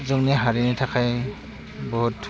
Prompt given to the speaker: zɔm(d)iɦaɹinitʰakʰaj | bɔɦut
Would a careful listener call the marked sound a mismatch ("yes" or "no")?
yes